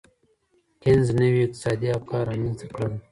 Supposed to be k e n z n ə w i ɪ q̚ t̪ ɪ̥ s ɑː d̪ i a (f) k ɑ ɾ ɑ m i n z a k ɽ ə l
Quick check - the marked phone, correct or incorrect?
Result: correct